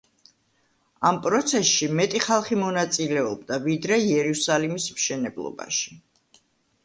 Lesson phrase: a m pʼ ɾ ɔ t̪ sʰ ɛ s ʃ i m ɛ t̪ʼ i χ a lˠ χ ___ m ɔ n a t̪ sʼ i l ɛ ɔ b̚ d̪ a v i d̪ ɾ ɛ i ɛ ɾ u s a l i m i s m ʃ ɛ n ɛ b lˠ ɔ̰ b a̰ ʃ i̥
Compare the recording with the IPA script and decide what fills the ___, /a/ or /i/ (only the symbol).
i